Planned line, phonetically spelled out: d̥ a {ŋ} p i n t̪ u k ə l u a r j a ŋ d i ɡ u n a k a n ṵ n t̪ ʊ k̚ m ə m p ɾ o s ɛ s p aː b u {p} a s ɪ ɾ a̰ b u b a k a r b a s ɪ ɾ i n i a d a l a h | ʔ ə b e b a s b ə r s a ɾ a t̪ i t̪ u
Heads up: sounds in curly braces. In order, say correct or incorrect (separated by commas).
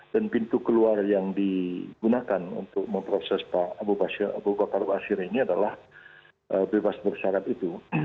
incorrect, incorrect